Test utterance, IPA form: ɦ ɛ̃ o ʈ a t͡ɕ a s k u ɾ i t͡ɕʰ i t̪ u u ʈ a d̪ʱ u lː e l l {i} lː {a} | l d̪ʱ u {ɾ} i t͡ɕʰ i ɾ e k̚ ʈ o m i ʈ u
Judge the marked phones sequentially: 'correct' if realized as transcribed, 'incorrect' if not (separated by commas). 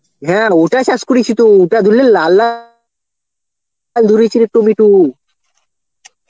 incorrect, correct, correct